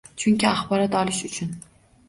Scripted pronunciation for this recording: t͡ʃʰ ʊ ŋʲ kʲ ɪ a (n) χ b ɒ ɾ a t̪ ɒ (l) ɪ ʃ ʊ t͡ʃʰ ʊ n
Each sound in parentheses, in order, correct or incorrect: incorrect, correct

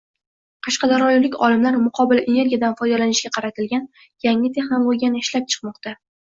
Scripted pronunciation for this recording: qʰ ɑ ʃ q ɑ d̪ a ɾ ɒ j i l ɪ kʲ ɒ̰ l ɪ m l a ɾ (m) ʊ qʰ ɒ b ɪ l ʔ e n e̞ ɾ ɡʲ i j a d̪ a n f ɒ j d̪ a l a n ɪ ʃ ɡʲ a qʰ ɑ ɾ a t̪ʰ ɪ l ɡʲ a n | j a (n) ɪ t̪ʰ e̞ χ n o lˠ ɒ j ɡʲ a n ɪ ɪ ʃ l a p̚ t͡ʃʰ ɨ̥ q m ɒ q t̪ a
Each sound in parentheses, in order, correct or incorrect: correct, incorrect

